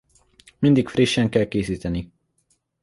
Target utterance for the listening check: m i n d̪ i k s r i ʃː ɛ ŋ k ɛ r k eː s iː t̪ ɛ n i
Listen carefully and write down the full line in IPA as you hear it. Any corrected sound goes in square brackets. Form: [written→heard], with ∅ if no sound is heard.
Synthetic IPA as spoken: m i n d̪ i k [s→f] r i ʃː ɛ ŋ k ɛ [r→l] k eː s iː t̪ ɛ n i